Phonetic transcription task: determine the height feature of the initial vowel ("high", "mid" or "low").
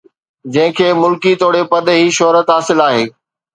low